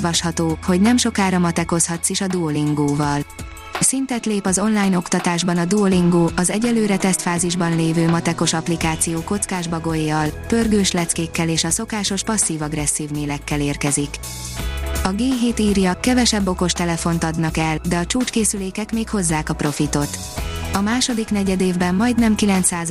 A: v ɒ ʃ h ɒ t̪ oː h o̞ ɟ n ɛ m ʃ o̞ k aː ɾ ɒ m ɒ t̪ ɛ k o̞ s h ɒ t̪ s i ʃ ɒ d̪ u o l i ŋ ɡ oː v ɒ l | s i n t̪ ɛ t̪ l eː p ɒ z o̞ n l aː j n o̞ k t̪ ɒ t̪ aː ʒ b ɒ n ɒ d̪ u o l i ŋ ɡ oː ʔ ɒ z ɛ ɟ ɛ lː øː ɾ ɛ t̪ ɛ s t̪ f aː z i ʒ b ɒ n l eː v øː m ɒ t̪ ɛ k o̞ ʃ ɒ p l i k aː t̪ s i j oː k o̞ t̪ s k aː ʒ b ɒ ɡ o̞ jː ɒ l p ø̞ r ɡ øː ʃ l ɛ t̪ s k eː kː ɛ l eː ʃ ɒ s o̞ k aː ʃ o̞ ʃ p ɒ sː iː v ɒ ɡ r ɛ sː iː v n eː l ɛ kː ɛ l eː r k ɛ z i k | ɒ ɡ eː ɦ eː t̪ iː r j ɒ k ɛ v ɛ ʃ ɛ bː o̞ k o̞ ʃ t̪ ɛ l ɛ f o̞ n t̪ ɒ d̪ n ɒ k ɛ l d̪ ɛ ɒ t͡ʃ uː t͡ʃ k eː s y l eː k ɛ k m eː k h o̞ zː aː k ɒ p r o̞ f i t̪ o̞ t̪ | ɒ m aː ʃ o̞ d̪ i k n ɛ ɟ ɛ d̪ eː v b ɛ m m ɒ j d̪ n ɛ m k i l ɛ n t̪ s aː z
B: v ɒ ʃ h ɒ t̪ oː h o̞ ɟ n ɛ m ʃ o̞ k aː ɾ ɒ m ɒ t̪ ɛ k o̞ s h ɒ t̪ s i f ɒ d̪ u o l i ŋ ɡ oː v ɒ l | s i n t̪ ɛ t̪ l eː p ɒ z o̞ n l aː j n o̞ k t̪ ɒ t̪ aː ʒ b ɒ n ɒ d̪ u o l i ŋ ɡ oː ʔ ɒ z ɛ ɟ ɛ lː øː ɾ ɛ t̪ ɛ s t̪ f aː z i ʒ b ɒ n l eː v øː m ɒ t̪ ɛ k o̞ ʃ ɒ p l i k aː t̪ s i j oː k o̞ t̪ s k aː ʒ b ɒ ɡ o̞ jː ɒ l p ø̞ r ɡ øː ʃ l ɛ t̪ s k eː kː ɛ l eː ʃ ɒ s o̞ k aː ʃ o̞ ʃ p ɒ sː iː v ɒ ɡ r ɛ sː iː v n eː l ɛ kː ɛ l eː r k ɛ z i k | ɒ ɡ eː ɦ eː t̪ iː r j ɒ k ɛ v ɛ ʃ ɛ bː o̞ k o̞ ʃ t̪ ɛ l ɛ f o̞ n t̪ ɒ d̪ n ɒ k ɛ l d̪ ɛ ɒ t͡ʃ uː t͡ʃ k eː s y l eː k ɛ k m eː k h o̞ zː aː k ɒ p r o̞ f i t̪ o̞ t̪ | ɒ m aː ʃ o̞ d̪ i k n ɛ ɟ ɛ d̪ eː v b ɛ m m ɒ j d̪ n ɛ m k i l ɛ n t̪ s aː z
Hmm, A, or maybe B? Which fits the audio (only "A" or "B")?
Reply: A